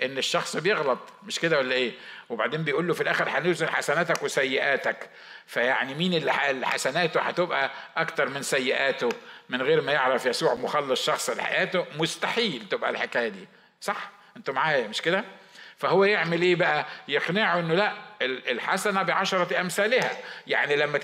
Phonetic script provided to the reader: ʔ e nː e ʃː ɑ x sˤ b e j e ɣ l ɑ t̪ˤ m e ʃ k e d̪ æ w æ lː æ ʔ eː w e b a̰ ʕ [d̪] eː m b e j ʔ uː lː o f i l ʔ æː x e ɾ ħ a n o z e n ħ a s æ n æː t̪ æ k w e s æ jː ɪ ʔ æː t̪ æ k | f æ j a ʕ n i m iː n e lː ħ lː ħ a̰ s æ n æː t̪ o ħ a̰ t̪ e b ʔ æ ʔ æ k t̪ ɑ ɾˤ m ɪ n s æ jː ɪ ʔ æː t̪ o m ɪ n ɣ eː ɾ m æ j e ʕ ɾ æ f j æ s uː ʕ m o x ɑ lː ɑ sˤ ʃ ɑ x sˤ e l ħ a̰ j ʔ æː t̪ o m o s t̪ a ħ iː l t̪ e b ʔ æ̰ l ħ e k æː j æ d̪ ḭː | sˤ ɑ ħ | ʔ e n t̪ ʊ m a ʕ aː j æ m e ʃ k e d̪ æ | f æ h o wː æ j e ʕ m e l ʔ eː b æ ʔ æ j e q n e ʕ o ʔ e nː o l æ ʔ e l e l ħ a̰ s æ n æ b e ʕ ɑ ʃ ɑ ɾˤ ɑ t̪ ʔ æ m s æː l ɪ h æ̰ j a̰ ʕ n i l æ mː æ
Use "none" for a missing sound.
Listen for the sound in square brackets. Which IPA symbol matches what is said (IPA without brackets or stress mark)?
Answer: d̪